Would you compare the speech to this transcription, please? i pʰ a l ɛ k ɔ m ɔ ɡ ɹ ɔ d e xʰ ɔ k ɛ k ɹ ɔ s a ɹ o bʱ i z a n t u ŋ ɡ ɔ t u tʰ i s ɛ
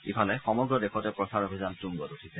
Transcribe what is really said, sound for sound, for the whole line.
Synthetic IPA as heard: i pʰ a l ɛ x ɔ m ɔ ɡ ɹ ɔ d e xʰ ɔ t ɛ p ɹ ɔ s a ɹ o bʱ i z a n t u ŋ ɡ ɔ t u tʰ i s ɛ